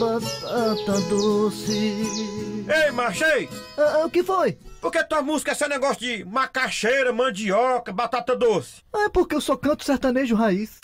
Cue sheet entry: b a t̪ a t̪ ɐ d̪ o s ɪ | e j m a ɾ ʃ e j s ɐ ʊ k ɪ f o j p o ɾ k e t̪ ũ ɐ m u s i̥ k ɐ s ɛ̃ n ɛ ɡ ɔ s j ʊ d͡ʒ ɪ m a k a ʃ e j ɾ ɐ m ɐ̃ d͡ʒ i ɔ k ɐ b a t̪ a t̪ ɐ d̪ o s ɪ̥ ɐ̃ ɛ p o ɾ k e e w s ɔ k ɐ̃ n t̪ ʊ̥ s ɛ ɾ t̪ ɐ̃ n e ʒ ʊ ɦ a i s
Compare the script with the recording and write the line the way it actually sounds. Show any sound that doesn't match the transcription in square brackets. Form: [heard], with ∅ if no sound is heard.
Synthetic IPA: b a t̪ a t̪ ɐ d̪ o s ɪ | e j m a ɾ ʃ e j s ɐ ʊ k ɪ f o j p o ɾ k e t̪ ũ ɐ m u [z] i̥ k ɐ s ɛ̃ n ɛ ɡ ɔ s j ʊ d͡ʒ ɪ m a k a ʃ e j ɾ ɐ m ɐ̃ d͡ʒ i ɔ k ɐ b a t̪ a t̪ ɐ d̪ o s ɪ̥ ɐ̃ ɛ p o ɾ k e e w s ɔ k ɐ̃ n t̪ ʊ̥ s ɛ ɾ t̪ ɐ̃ n e ʒ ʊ ɦ a i s